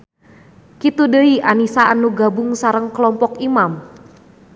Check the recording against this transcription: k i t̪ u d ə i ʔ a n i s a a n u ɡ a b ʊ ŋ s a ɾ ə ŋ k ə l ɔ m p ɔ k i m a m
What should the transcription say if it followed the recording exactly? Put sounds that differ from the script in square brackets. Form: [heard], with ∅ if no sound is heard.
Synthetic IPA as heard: k i t̪ u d ə i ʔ a n i s a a n u ɡ a b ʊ ŋ s a ɾ ə ŋ k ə l ɔ m p ɔ k i m a m